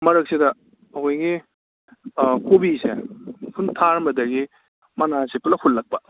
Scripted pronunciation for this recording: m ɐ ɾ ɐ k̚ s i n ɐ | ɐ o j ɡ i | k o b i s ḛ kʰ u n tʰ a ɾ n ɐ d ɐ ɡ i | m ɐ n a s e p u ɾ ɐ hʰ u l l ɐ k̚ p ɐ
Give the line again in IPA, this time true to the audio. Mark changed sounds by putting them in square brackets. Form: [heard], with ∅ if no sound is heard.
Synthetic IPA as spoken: m ɐ ɾ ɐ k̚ s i [d] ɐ | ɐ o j ɡ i | k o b i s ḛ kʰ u n tʰ a ɾ [m] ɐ d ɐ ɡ i | m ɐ n a s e p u [l] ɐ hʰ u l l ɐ k̚ p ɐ